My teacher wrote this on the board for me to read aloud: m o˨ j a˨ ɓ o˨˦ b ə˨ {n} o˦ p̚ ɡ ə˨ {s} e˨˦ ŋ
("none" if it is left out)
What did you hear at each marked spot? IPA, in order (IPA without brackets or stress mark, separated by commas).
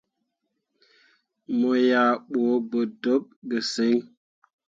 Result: d, s